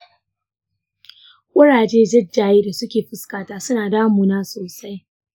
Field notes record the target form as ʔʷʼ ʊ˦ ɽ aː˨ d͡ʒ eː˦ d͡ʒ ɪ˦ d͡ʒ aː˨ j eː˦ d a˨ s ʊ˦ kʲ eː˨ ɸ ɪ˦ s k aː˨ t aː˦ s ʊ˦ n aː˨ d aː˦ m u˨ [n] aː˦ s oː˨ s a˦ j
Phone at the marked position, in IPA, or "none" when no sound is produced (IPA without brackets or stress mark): n